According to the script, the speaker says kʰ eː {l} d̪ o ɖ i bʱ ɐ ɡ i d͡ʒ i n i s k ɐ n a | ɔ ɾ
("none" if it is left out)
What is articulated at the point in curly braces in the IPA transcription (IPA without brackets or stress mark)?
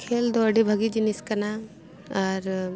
l